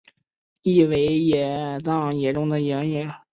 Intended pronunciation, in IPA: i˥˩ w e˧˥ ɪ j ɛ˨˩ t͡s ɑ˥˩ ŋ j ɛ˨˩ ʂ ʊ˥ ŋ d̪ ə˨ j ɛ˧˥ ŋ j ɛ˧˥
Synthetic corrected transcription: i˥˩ w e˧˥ ɪ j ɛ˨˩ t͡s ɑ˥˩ ŋ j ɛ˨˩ ʈ͡ʂ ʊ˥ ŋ d̪ ə˨ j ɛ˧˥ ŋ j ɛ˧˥